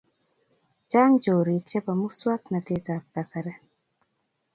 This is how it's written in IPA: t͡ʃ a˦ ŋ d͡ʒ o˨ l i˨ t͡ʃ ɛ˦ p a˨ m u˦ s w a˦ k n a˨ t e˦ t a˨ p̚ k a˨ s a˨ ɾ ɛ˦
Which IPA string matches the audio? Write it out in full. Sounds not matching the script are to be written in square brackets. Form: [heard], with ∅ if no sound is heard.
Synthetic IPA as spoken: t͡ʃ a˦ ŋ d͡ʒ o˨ [ɾ] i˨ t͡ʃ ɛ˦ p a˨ m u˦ s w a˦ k n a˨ t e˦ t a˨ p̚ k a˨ s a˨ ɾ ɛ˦